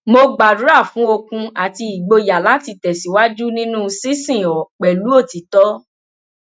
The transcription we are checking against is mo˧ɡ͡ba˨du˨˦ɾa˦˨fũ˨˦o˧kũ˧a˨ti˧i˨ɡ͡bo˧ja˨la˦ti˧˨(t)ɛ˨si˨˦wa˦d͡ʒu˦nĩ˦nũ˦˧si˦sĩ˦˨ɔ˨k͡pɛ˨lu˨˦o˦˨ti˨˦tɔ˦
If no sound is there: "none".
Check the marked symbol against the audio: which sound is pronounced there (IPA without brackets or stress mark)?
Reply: t